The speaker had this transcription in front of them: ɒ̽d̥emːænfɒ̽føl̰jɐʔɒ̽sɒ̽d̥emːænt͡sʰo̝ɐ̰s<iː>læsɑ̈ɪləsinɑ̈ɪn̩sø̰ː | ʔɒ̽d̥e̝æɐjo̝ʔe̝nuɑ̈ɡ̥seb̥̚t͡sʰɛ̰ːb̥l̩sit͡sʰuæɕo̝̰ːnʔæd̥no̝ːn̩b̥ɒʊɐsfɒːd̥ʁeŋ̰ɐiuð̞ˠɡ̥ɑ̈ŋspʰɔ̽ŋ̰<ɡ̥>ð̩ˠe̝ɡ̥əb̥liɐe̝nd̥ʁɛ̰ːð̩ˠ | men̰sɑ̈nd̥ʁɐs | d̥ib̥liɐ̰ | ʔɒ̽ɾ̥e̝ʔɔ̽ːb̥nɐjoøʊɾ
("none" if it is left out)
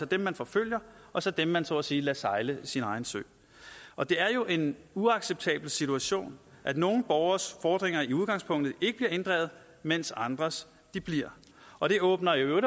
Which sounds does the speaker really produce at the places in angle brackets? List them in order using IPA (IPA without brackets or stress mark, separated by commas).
iː, d̥